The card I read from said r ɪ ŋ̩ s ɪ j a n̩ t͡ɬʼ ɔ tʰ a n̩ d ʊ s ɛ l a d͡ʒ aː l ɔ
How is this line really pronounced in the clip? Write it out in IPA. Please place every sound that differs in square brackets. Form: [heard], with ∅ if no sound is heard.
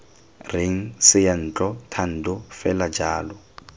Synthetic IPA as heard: r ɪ ŋ̩ s ɪ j a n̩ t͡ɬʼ ɔ tʰ a n̩ d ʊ [f] ɛ l a d͡ʒ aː l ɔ